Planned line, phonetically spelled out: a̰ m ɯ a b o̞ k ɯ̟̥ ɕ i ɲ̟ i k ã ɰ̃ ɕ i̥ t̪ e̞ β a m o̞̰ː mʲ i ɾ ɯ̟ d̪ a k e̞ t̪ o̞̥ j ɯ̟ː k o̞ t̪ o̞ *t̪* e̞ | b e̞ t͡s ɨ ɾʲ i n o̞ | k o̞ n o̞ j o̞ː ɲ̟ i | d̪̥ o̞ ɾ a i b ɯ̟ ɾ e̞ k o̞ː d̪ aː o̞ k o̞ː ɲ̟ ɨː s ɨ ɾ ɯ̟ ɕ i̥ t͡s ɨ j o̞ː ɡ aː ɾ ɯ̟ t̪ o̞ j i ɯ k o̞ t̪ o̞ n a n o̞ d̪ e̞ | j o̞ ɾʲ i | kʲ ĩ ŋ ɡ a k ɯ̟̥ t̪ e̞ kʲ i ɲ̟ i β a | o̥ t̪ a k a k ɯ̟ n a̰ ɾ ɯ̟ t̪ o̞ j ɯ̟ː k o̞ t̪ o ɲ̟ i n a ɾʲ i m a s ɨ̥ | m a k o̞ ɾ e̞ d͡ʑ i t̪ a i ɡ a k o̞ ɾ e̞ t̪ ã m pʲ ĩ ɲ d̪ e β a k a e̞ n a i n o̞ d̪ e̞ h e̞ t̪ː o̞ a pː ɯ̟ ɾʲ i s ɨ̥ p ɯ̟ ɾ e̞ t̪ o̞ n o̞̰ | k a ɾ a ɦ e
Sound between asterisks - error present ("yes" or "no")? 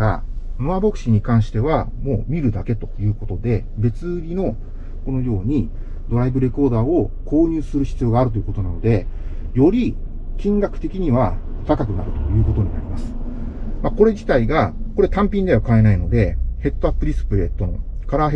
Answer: yes